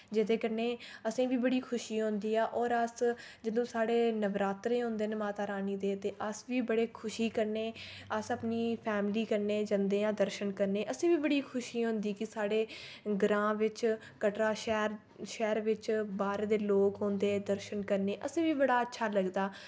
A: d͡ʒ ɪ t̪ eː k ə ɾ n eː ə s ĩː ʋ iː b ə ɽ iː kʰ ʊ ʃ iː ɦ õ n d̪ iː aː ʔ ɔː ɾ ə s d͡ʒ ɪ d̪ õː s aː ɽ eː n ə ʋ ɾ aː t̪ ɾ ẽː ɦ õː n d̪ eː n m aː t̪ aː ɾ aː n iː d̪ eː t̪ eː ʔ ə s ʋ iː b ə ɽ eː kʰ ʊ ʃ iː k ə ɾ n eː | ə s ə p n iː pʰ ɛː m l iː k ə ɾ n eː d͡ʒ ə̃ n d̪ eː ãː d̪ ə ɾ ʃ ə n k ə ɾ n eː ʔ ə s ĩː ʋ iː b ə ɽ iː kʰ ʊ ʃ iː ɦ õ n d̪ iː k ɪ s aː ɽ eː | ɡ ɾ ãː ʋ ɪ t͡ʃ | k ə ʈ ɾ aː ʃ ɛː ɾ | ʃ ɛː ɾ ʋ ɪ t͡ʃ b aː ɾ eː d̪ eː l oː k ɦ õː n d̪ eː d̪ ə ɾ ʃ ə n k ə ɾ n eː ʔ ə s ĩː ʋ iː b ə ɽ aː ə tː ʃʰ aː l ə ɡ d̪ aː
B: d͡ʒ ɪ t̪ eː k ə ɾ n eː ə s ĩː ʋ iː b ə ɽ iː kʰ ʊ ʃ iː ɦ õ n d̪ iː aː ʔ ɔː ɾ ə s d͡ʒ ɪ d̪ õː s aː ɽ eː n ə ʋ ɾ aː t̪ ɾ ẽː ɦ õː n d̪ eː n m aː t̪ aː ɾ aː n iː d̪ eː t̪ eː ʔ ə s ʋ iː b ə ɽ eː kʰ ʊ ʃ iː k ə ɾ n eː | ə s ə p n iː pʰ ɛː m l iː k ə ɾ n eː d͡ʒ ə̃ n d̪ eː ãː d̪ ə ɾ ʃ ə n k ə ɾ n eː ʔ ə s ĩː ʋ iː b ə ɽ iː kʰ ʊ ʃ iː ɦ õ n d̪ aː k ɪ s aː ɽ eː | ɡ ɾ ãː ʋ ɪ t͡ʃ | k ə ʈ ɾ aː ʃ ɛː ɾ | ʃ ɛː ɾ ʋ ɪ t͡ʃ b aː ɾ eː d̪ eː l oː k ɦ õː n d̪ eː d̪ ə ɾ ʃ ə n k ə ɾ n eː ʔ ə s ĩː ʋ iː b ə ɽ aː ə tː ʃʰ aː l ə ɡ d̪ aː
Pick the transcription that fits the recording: A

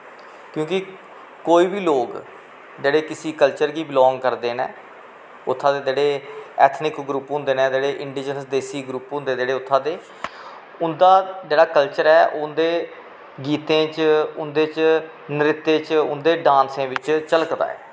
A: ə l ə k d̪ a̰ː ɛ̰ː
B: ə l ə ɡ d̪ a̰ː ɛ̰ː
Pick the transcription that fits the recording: A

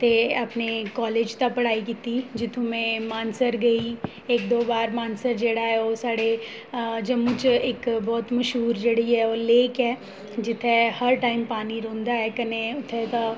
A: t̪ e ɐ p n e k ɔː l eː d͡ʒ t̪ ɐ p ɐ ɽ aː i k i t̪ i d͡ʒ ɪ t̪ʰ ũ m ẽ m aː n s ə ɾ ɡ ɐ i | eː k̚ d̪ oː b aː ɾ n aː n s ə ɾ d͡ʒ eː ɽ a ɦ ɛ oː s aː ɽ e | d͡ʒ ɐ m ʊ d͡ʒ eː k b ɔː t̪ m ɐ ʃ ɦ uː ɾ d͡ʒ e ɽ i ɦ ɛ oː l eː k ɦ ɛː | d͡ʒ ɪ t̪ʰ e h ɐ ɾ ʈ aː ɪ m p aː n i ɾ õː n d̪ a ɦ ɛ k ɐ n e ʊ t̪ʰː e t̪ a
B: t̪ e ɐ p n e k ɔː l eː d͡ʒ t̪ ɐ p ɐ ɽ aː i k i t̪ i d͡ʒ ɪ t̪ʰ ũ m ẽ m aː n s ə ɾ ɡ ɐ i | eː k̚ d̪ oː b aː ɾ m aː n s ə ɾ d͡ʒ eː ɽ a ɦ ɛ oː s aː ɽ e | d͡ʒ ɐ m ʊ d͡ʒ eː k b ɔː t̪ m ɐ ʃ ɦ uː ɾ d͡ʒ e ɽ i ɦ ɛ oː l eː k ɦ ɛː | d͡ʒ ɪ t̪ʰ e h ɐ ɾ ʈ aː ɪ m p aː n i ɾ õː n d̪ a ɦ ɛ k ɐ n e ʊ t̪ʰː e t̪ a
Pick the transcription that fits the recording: B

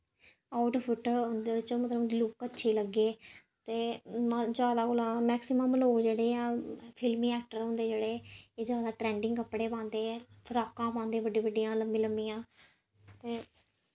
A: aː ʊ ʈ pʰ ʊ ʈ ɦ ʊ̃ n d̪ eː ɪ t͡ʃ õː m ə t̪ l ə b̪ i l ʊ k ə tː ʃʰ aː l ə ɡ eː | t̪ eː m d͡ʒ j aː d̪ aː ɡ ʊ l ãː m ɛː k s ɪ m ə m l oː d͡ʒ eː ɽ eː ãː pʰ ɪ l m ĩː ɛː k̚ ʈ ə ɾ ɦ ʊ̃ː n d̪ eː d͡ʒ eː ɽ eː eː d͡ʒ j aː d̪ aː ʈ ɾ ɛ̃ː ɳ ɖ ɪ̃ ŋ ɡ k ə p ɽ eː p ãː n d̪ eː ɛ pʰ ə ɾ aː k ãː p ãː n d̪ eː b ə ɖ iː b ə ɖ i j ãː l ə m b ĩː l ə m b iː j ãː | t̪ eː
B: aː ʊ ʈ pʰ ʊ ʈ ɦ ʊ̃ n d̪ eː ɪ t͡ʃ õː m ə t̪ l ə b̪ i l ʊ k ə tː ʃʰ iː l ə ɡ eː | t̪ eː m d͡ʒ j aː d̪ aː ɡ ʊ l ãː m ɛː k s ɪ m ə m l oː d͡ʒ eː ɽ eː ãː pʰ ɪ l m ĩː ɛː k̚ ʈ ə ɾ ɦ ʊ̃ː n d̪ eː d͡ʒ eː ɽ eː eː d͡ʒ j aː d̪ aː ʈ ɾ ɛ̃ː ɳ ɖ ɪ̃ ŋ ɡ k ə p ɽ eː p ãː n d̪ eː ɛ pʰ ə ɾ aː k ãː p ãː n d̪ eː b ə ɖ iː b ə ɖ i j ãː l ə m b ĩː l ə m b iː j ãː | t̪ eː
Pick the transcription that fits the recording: B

